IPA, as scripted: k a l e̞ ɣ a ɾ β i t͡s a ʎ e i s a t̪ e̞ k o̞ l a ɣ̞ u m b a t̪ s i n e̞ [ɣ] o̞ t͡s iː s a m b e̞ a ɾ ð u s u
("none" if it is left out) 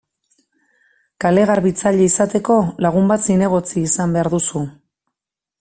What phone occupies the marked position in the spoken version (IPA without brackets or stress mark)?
ɣ